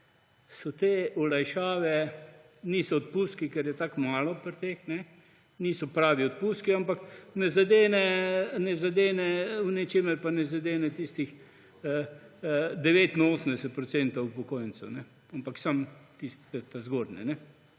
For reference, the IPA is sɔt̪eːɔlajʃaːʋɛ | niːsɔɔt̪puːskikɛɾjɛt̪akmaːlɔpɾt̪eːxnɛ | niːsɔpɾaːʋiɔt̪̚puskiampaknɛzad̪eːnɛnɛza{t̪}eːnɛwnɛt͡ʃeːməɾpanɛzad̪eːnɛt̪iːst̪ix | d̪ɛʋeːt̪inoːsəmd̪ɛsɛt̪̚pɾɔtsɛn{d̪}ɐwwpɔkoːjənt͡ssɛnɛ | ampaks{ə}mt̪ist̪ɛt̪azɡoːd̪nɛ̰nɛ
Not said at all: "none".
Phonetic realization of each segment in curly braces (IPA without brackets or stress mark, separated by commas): d̪, t̪, a